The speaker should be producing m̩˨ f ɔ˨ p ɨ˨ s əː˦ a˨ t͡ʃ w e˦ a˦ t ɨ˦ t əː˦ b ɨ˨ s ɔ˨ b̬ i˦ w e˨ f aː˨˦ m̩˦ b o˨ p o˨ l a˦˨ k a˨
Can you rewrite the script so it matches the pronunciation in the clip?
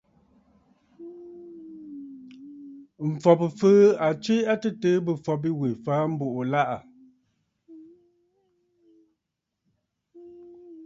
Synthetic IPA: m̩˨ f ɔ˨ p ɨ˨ f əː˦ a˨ t͡ʃ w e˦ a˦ t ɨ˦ t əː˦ b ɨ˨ f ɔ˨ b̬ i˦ w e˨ f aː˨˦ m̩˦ b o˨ ʔ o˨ l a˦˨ ʔ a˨

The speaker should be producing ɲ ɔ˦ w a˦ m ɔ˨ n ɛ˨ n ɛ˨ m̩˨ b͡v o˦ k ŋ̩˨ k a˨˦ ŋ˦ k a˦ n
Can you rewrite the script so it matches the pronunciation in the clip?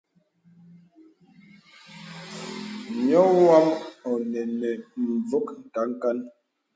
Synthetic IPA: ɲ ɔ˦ w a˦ m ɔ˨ n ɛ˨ n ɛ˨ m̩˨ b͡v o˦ k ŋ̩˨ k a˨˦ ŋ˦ k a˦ n

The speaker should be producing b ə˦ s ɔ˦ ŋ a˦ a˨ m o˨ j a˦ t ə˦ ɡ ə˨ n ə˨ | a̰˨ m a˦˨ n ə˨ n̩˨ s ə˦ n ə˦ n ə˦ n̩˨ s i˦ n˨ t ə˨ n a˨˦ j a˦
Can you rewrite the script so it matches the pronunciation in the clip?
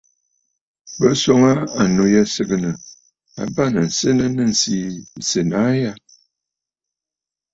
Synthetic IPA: b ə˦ s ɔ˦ ŋ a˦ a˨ n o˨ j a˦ s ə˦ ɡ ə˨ n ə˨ | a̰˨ b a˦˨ n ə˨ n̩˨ s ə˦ n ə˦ n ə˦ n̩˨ s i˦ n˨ s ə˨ n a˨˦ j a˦

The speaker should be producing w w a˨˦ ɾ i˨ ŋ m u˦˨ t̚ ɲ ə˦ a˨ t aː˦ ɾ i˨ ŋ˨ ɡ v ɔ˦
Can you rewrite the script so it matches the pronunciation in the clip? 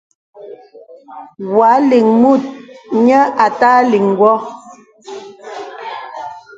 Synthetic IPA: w w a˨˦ l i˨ ŋ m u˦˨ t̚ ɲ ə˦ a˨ t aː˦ l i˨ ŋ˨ ɡ w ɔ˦

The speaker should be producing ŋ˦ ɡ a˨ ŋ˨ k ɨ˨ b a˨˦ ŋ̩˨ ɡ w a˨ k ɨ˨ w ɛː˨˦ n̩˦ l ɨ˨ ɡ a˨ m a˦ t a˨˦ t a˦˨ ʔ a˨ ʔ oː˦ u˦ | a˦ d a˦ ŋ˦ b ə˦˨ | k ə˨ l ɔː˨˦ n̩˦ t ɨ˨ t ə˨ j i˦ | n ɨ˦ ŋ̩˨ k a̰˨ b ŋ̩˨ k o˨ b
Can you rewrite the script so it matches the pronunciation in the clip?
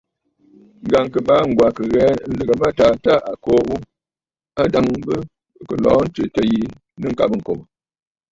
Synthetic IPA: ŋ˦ ɡ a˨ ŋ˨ k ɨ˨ b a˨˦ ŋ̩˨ ɡ w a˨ k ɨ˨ ɣ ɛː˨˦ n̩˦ l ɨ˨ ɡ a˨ m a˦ t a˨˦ t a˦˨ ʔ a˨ k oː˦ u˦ | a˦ d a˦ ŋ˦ b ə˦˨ | k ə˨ l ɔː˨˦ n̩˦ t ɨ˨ t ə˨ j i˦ | n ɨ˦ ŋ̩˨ k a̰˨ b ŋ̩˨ k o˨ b

